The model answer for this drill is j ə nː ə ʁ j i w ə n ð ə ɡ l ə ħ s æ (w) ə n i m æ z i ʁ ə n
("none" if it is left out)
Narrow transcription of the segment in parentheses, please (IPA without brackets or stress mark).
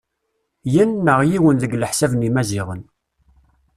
v